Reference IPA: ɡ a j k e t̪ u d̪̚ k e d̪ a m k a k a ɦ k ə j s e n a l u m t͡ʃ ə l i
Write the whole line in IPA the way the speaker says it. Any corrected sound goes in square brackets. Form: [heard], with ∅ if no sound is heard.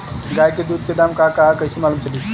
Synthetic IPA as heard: ɡ a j k e [d̪] u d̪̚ k e d̪ a m k a k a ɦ k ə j s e [m] a l u m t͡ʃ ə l i